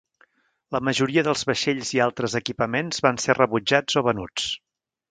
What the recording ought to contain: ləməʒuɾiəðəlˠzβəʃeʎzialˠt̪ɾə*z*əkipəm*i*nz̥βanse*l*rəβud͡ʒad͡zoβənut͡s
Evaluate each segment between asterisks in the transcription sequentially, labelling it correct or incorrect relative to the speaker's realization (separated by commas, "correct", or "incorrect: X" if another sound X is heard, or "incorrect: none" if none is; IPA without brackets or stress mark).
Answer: correct, incorrect: e, incorrect: none